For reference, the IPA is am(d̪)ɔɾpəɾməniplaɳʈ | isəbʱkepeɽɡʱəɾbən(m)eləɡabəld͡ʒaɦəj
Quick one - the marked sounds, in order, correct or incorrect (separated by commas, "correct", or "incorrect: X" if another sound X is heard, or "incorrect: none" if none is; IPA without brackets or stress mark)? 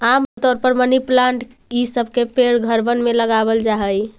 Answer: incorrect: t̪, correct